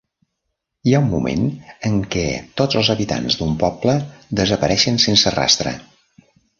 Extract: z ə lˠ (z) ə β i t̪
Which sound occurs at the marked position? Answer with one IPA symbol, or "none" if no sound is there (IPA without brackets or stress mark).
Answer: z